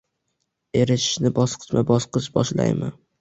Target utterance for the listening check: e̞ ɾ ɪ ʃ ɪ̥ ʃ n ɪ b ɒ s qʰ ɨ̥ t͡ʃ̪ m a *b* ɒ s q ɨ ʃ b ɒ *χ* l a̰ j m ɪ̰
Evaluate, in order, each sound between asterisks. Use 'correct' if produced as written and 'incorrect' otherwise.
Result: correct, incorrect: ʃ

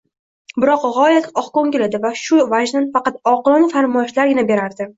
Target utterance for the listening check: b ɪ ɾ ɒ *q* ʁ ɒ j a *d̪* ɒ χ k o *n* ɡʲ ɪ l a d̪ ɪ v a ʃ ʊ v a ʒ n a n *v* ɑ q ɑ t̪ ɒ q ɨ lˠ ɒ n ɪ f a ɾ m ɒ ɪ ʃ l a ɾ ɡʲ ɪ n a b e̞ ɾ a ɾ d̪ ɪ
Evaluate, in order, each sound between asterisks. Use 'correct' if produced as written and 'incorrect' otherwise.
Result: correct, incorrect: t̪, incorrect: ŋ, incorrect: f

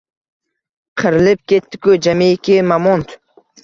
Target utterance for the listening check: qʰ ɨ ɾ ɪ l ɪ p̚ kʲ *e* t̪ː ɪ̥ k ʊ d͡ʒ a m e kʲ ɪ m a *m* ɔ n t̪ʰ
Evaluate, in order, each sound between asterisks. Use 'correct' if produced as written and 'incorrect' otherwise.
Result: correct, correct

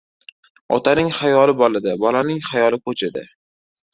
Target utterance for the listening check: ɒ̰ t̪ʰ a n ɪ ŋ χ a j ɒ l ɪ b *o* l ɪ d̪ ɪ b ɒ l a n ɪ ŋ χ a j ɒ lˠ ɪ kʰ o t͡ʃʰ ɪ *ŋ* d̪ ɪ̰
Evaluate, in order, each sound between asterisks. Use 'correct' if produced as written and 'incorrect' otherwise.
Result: incorrect: ɒ, incorrect: none

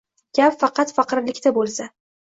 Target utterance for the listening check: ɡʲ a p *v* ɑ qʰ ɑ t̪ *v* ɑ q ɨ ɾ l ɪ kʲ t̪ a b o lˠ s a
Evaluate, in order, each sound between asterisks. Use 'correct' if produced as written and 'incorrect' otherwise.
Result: incorrect: f, incorrect: f

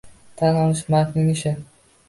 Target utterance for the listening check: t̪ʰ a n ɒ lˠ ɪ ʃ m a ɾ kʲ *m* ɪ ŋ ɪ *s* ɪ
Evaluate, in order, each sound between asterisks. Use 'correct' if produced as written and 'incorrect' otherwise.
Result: incorrect: n, incorrect: ʃ

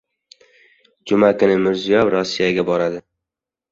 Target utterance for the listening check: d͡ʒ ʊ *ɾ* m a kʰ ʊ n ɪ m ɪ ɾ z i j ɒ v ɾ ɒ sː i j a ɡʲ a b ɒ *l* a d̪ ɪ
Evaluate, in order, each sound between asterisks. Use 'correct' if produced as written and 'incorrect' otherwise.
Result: incorrect: none, incorrect: ɾ

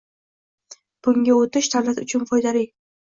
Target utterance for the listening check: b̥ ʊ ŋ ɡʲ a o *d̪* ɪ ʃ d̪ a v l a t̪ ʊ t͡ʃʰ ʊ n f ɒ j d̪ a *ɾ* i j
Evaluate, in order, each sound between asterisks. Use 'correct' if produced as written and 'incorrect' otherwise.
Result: incorrect: t̪, incorrect: l

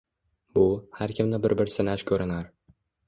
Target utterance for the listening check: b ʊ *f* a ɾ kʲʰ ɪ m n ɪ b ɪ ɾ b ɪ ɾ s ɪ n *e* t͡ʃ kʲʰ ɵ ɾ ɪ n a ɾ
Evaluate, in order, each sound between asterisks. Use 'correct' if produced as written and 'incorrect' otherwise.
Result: incorrect: h, incorrect: a

